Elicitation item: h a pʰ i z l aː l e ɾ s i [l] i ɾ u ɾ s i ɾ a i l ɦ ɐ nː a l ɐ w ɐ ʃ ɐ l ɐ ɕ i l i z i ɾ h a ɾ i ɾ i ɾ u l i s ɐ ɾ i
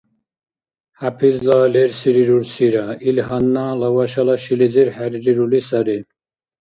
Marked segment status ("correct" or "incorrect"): incorrect